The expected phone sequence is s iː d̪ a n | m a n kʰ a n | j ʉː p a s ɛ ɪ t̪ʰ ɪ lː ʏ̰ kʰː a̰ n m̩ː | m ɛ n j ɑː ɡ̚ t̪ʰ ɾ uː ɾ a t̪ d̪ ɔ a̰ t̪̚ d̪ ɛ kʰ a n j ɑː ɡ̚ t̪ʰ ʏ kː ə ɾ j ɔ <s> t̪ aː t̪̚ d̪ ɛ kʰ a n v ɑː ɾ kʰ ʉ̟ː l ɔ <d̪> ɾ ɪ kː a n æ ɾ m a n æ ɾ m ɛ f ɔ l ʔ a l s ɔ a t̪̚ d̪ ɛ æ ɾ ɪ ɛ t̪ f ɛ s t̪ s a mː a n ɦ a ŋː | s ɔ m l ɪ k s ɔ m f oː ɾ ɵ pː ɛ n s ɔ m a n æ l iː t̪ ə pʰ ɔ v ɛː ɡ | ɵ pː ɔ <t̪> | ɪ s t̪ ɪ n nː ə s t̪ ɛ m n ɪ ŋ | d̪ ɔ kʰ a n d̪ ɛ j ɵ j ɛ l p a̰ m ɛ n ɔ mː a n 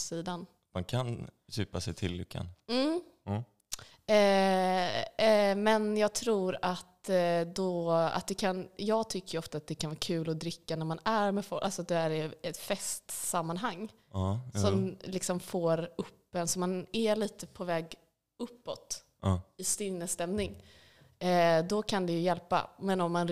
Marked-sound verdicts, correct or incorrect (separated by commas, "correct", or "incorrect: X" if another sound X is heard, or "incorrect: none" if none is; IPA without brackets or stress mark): incorrect: f, correct, correct